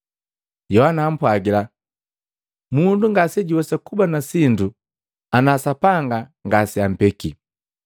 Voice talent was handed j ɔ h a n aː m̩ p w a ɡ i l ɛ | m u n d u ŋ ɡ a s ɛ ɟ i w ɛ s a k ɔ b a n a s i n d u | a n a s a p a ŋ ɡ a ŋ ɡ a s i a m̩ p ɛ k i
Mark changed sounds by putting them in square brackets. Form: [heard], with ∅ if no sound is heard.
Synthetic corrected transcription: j ɔ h a n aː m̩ p w a ɡ i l [a] | m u n d u ŋ ɡ a s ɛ ɟ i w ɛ s a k [u] b a n a s i n d u | a n a s a p a ŋ ɡ a ŋ ɡ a s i a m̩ p ɛ k i